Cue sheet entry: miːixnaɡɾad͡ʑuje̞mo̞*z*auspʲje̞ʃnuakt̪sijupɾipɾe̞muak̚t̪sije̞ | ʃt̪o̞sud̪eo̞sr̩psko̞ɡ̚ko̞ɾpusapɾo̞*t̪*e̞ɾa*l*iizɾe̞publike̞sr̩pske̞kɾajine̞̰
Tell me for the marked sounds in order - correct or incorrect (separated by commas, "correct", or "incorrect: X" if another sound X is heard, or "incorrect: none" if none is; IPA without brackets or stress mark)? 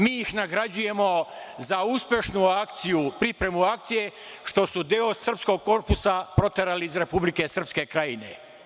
correct, correct, correct